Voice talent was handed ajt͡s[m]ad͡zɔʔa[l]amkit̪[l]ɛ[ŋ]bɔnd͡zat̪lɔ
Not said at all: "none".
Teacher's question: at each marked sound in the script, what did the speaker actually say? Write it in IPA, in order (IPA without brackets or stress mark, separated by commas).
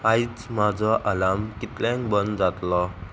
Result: m, l, l, ŋ